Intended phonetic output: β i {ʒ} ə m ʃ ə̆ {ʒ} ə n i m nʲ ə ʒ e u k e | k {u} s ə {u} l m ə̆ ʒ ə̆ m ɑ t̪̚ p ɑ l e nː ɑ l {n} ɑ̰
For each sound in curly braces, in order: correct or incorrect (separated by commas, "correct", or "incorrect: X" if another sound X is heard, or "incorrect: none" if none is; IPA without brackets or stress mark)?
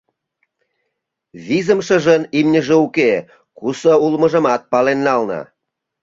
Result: incorrect: z, correct, correct, correct, correct